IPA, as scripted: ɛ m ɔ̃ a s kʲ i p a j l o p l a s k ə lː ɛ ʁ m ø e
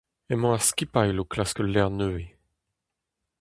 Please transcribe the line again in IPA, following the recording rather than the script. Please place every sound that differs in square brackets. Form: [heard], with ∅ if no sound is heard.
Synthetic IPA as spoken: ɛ m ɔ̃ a s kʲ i p a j l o [k] l a s k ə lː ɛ ʁ [n] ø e